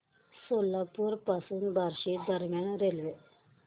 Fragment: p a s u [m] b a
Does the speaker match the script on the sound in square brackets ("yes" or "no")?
no